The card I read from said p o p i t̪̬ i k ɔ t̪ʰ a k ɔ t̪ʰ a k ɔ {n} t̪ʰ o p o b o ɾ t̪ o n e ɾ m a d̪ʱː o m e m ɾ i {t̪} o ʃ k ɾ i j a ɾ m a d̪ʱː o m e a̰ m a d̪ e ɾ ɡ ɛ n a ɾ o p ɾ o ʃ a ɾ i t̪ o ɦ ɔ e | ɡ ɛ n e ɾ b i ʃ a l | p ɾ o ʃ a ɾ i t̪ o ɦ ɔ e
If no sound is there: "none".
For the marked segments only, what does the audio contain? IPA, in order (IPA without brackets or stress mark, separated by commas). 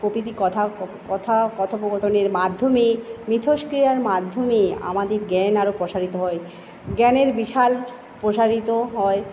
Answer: none, t̪ʰ